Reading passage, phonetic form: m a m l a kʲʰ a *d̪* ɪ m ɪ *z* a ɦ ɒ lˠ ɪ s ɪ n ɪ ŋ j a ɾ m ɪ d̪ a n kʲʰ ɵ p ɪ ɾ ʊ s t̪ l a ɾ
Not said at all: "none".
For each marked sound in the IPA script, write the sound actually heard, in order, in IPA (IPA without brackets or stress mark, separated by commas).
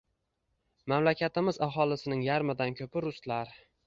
t̪, z